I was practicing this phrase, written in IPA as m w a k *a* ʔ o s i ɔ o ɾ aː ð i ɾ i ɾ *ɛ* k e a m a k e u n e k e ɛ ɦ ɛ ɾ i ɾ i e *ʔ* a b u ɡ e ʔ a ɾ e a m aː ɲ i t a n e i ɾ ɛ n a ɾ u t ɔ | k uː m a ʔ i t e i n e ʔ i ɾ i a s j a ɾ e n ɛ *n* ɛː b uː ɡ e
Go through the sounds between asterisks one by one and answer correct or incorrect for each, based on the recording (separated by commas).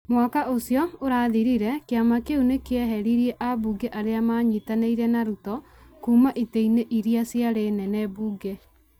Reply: correct, correct, correct, correct